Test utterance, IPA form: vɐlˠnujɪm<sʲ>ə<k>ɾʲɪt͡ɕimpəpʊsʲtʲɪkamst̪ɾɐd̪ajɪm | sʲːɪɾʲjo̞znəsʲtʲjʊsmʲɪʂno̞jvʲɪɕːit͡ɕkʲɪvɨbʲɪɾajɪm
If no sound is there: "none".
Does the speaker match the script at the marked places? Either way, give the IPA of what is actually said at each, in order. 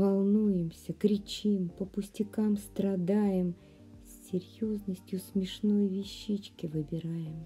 sʲ, k

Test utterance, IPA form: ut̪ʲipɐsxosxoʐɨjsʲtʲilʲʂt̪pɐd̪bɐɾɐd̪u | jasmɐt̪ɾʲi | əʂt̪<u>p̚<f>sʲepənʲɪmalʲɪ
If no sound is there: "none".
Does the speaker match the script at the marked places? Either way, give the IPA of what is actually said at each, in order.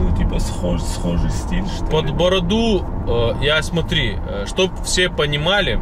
o, f

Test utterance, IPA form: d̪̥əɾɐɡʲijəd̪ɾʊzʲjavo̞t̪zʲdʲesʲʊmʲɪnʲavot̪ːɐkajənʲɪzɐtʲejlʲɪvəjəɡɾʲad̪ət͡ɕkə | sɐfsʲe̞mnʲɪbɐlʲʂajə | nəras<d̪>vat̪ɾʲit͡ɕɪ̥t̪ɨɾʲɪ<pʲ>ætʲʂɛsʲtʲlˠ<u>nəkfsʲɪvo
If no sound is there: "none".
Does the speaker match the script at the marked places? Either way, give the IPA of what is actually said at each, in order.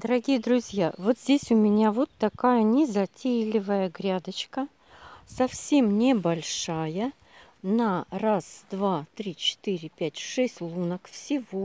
d̪, pʲ, u

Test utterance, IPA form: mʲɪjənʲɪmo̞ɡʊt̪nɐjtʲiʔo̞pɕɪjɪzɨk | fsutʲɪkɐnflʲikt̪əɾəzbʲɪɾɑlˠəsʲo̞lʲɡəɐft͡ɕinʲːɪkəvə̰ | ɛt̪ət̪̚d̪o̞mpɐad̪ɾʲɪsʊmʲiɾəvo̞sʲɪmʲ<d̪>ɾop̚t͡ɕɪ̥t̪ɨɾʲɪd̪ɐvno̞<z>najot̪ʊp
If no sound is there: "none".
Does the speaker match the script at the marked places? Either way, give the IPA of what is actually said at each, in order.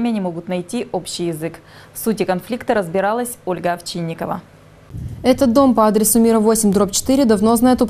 d̪, z

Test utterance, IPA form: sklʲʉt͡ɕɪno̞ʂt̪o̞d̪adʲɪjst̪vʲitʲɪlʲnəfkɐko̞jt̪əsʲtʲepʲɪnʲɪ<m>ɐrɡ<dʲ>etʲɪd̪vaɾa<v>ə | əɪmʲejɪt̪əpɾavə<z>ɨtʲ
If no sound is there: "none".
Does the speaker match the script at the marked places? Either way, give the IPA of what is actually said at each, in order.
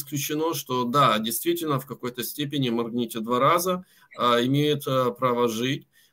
m, nʲ, z, ʐ

